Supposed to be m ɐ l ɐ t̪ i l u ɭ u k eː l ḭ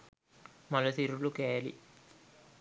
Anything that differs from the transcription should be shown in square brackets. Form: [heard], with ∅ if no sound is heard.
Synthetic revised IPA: m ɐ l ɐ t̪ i [ɾ] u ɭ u k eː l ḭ